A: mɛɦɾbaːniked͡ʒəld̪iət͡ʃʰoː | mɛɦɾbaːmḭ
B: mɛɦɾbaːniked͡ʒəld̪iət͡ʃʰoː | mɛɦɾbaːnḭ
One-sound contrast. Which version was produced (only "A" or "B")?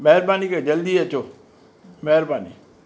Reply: B